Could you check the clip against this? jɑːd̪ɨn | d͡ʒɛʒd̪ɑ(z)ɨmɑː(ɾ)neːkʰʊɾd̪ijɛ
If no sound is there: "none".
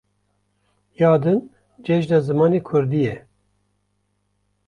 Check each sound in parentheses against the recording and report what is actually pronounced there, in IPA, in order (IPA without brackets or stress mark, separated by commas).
z, none